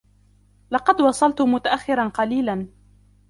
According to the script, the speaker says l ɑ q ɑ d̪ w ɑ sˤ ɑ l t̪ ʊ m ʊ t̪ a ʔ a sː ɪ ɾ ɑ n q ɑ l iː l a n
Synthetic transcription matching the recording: l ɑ q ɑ d̪ w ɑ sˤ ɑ l t̪ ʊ m ʊ t̪ a ʔ a xː ɪ ɾ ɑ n q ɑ l iː l a n